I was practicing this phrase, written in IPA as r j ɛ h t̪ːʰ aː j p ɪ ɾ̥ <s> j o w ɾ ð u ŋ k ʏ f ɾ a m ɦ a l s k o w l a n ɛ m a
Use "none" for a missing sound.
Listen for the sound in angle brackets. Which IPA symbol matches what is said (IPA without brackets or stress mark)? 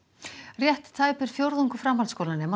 f